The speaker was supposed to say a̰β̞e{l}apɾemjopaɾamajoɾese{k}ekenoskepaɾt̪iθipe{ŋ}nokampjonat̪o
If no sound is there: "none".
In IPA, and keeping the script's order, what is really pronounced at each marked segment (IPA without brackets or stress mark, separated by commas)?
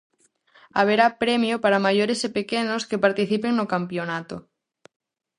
ɾ, p, ŋ